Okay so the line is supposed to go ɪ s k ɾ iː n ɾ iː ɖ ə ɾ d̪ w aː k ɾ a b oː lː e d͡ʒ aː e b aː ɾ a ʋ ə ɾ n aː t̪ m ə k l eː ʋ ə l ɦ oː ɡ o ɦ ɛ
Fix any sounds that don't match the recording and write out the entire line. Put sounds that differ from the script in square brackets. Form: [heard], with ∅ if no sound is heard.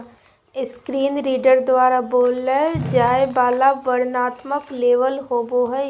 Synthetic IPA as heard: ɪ s k ɾ iː n ɾ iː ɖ ə ɾ d̪ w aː [∅] ɾ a b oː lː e d͡ʒ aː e b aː [l] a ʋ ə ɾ n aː t̪ m ə k l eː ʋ ə l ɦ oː [b] o ɦ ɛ